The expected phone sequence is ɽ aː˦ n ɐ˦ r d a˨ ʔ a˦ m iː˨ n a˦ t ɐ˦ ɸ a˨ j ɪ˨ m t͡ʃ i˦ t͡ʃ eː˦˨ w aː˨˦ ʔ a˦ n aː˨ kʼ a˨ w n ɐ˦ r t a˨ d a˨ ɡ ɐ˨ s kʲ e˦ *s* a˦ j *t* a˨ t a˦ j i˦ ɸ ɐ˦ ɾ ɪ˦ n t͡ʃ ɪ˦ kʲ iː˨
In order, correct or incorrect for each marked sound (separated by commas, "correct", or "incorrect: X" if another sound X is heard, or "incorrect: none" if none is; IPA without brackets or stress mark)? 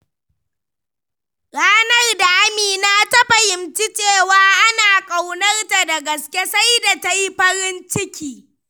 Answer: correct, incorrect: d